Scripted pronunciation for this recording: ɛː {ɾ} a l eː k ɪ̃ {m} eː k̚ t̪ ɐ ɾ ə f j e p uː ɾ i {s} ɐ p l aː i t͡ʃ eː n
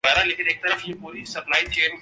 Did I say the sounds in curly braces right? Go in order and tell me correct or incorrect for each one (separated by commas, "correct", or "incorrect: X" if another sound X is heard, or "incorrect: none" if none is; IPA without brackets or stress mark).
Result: correct, incorrect: n, correct